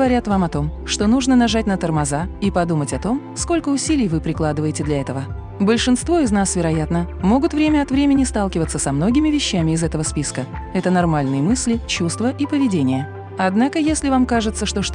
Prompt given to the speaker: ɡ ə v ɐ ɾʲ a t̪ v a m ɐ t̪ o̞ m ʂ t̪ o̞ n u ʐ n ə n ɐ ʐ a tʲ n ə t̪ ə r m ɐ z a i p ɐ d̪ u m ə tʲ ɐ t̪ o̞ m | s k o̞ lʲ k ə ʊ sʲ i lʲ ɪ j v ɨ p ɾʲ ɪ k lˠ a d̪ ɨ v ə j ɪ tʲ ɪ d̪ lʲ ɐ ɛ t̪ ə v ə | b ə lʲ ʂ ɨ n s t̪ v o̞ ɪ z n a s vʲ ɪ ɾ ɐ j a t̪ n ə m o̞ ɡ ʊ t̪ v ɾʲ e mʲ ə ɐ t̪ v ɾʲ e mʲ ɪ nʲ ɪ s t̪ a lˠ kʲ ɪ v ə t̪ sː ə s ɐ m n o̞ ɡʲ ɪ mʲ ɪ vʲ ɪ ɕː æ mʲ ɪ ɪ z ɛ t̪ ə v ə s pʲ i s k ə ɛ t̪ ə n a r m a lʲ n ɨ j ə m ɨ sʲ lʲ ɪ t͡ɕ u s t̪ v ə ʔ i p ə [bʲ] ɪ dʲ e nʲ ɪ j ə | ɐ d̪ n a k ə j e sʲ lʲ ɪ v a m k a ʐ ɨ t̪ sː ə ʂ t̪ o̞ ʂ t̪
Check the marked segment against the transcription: incorrect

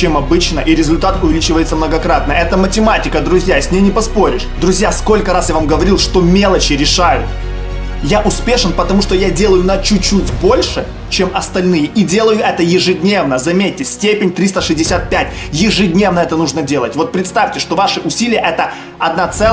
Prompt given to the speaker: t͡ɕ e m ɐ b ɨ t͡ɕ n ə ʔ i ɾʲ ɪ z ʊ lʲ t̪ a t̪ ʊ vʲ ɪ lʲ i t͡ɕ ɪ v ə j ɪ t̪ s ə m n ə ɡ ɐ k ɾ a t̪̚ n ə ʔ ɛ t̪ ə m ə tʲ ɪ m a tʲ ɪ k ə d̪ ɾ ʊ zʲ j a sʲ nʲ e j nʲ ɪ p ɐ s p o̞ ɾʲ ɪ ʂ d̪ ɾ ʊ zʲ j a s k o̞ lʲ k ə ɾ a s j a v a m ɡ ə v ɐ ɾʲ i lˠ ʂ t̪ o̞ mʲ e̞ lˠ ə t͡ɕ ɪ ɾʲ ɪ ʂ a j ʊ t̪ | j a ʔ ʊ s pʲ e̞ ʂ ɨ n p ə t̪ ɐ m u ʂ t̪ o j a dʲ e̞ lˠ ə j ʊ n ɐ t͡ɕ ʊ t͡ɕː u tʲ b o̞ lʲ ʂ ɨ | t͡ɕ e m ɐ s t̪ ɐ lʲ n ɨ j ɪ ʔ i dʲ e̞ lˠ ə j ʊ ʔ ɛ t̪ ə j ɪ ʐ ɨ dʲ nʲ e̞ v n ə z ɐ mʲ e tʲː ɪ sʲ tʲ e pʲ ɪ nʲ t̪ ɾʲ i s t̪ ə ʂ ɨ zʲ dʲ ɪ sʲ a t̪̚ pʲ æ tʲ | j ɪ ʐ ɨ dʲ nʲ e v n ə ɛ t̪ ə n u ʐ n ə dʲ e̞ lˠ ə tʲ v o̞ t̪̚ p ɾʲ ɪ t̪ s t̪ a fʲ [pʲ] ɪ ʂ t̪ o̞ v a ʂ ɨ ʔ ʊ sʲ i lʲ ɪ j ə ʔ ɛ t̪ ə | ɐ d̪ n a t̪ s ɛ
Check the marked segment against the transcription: incorrect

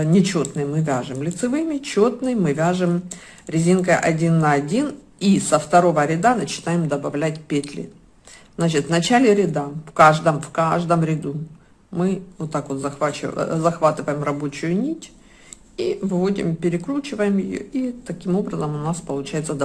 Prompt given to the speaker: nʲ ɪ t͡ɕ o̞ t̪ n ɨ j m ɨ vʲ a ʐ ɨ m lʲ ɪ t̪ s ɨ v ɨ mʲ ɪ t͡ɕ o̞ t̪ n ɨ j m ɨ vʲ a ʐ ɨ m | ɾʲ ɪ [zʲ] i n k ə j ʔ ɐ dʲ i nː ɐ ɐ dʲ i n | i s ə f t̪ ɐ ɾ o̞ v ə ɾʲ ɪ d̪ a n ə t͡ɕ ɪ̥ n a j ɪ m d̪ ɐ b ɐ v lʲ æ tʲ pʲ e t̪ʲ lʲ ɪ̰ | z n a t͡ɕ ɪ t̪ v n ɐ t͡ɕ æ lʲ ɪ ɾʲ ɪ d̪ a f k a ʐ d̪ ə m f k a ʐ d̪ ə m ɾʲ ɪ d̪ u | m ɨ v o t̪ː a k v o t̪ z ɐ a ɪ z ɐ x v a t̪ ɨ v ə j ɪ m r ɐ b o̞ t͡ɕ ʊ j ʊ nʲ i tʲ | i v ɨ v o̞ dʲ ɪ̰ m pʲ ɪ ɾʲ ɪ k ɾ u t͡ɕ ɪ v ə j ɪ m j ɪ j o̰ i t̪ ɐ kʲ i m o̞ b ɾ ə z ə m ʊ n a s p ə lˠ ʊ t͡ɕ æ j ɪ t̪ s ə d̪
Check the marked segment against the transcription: correct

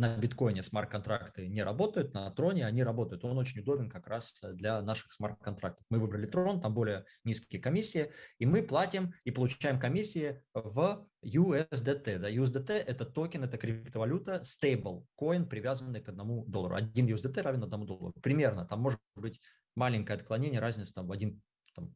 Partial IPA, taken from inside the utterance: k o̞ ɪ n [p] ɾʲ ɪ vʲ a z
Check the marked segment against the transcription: correct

